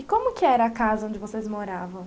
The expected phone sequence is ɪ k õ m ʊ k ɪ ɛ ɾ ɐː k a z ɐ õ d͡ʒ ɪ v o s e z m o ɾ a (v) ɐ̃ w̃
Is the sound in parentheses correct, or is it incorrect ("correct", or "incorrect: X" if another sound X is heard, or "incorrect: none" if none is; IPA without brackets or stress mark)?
correct